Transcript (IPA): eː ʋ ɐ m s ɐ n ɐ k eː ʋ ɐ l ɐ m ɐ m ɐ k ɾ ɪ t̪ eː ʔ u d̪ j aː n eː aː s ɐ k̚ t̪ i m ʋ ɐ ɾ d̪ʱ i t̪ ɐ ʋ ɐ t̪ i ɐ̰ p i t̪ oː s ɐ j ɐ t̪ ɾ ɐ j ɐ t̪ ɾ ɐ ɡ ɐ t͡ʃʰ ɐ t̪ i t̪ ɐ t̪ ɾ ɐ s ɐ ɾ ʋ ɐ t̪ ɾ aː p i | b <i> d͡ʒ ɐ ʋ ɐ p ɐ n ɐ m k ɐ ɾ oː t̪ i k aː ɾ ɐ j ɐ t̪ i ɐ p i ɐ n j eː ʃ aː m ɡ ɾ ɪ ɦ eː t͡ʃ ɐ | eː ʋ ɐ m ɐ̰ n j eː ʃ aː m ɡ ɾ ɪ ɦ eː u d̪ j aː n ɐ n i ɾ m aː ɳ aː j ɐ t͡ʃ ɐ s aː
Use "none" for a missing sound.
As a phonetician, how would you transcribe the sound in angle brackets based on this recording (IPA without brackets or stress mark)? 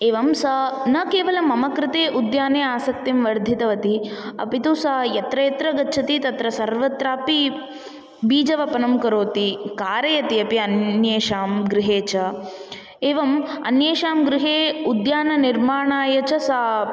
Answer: iː